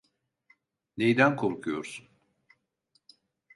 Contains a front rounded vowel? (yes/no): no